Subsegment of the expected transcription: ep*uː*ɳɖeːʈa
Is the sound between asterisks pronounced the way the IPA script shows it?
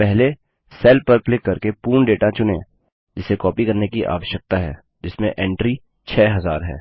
yes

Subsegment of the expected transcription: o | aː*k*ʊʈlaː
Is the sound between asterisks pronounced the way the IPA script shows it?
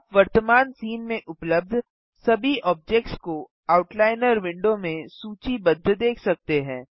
no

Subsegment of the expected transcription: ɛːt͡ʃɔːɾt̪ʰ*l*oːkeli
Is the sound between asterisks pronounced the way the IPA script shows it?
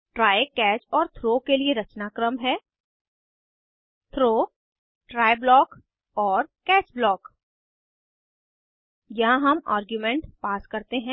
no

